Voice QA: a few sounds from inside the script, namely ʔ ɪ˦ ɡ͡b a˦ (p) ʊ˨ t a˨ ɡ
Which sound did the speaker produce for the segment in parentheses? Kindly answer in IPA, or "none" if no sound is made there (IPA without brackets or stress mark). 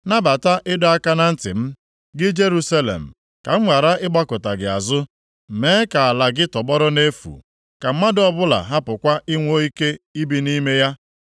k